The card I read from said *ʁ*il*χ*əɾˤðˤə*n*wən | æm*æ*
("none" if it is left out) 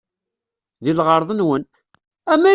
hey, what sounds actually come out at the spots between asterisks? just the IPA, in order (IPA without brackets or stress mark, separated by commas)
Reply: ð, ʁ, n, æ